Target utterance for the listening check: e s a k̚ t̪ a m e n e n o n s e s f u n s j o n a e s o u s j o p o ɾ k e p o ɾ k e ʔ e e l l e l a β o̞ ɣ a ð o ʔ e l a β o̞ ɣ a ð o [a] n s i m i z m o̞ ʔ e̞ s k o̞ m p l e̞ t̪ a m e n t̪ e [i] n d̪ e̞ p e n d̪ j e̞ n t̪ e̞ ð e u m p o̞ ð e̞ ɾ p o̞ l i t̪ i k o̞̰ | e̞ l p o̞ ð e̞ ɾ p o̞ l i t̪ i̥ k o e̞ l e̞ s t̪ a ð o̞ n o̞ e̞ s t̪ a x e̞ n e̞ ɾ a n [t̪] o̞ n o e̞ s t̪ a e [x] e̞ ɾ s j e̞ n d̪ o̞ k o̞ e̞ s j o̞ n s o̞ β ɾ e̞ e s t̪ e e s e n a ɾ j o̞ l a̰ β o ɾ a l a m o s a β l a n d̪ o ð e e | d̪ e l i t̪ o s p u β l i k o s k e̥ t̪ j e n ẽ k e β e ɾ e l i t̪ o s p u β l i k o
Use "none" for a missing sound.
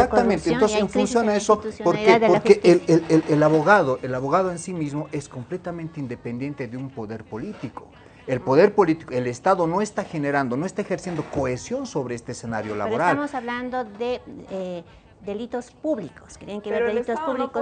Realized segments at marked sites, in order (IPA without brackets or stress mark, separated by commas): e, i, d̪, x